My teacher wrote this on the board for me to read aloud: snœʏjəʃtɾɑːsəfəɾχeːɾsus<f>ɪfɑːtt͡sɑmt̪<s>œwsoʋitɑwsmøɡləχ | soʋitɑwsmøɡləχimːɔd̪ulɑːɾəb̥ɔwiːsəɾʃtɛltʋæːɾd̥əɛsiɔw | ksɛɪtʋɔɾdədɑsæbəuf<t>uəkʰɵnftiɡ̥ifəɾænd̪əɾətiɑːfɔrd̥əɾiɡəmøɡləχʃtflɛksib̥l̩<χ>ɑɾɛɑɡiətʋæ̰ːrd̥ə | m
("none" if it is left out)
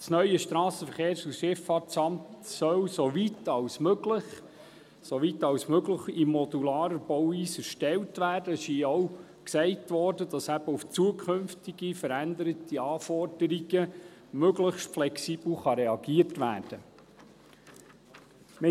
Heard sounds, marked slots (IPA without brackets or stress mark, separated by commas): ʃ, s, t͡s, χ